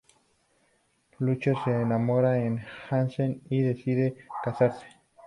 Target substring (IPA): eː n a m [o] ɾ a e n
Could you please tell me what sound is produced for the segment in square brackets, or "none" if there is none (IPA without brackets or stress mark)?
o